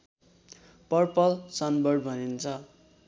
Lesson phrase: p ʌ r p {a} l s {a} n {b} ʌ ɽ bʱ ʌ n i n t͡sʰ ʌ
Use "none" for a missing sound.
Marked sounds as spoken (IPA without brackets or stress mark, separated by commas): ʌ, ʌ, b